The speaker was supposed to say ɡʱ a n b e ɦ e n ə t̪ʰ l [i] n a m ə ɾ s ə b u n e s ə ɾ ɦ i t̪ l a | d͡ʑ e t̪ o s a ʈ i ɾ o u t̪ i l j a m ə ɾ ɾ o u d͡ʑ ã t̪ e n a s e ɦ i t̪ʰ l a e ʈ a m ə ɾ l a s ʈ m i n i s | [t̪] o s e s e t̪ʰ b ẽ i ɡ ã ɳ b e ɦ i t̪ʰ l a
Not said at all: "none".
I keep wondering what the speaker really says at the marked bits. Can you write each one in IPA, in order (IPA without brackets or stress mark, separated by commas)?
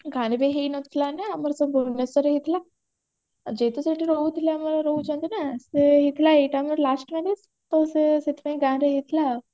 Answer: a, t̪